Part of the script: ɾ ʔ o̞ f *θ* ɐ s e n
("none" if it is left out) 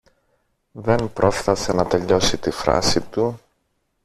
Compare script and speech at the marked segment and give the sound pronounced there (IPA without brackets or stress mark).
θ